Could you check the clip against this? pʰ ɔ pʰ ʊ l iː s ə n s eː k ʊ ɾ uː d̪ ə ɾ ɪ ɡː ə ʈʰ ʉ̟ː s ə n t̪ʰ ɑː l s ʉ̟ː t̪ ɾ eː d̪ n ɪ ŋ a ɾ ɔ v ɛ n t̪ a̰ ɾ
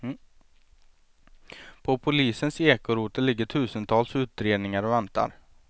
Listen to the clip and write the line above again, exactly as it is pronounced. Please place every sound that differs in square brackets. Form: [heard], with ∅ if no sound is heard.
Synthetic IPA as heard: pʰ ɔ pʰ ʊ l iː s ə n s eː k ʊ ɾ uː [t̪] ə [l] ɪ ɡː ə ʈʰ ʉ̟ː s ə n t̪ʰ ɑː l s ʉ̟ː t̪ ɾ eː d̪ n ɪ ŋ a ɾ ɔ v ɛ n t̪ a̰ ɾ